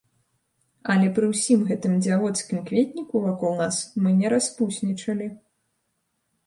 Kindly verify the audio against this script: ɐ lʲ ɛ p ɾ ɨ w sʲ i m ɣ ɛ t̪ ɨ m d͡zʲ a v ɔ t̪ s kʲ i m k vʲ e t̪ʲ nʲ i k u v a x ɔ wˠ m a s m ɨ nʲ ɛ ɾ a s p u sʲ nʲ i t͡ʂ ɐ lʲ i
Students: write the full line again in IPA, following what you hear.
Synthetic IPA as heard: ɐ lʲ ɛ p ɾ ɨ w sʲ i m ɣ ɛ t̪ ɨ m d͡zʲ a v ɔ t̪ s kʲ i m k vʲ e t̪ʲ nʲ i k u v a k ɔ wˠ n a s m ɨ nʲ ɛ ɾ a s p u sʲ nʲ i t͡ʂ ɐ lʲ i